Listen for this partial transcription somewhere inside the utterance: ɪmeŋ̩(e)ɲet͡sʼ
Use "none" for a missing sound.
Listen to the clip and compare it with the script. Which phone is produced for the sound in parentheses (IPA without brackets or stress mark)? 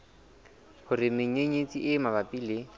e